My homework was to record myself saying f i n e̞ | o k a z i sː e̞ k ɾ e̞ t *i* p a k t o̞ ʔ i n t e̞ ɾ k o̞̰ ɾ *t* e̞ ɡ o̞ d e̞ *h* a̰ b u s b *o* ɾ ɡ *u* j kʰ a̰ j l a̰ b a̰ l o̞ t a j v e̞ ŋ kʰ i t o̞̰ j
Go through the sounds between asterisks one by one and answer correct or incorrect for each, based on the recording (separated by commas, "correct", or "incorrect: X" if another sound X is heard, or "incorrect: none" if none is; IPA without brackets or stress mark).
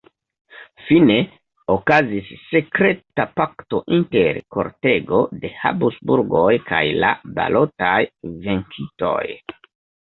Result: incorrect: a, correct, correct, incorrect: u, incorrect: o